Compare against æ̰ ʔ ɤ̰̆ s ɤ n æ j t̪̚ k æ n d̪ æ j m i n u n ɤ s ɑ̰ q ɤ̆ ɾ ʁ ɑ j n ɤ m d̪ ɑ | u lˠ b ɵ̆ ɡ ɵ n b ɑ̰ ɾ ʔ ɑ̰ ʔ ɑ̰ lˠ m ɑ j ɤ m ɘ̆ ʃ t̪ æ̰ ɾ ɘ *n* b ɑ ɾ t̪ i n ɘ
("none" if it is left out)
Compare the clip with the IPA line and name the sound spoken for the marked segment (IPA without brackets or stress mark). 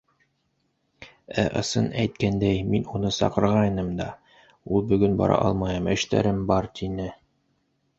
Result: m